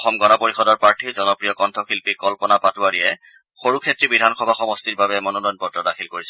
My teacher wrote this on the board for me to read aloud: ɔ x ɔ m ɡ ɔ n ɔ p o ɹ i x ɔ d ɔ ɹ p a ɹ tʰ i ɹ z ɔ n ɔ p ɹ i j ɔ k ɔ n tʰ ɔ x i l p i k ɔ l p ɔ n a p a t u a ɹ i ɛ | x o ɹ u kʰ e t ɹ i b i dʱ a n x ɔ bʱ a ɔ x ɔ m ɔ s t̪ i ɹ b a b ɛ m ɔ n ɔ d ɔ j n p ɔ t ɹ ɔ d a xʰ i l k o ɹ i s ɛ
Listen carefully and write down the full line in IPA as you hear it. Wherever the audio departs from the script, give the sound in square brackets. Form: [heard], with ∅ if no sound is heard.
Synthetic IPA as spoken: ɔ x ɔ m ɡ ɔ n ɔ p o ɹ i x ɔ d ɔ ɹ p a ɹ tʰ i ɹ z ɔ n ɔ p ɹ i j ɔ k ɔ n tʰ ɔ x i l p i k ɔ l p ɔ n a p a t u a ɹ i ɛ | x o ɹ u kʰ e t ɹ i b i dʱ a n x ɔ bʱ a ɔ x ɔ m ɔ s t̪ i ɹ b a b ɛ m ɔ n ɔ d ɔ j n p ɔ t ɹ ɔ d a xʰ i l k o ɹ i s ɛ